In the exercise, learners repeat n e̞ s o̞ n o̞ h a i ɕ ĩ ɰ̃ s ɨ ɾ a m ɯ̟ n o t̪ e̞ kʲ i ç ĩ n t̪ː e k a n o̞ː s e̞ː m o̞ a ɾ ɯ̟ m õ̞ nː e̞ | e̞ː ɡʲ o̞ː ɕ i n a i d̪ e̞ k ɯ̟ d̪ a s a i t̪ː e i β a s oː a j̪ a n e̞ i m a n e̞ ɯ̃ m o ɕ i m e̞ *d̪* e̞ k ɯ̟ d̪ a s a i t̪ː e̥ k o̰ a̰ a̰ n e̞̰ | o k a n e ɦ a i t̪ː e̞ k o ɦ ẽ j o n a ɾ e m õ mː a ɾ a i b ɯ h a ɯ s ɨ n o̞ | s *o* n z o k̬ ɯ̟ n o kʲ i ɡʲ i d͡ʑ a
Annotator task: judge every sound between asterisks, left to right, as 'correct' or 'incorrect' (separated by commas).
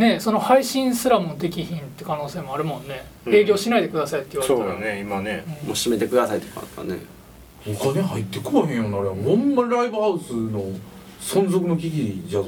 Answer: incorrect, incorrect